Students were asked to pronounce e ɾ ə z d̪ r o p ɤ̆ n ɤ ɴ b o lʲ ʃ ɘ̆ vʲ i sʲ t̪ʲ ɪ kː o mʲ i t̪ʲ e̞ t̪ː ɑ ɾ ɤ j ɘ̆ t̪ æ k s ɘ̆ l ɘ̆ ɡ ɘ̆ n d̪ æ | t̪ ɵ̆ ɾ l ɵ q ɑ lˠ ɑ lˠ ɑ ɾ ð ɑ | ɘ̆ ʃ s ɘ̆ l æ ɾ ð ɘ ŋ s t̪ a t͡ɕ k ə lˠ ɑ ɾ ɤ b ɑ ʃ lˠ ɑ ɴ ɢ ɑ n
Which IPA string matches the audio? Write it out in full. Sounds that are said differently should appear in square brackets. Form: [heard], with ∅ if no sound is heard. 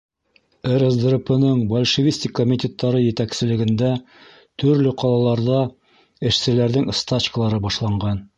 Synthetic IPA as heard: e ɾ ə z d̪ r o p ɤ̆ n ɤ ɴ b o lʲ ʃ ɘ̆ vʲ i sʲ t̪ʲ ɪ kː o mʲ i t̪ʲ e̞ t̪ː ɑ ɾ ɤ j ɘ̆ t̪ æ k s ɘ̆ l ɘ̆ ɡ ɘ̆ n d̪ æ | t̪ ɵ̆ ɾ l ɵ q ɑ lˠ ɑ lˠ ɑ ɾ ð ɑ | ɘ̆ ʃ s ɘ̆ l æ ɾ ð ɘ ŋ s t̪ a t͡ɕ k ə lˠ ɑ ɾ ɤ b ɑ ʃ lˠ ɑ ɴ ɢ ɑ n